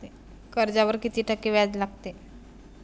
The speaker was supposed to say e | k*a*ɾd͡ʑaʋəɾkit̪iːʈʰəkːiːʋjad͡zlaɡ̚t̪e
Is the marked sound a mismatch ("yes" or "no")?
yes